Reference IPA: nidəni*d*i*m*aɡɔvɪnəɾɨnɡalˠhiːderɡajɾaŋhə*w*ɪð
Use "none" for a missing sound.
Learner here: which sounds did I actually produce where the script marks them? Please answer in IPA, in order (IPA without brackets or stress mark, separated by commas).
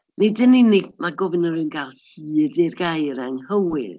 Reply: n, m, w